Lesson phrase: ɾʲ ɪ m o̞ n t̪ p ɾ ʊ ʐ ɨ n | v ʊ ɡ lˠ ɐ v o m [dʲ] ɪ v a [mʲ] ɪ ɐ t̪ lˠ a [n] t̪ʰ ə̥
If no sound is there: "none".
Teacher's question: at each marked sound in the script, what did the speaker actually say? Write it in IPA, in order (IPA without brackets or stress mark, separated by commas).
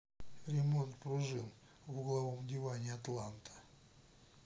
dʲ, nʲ, n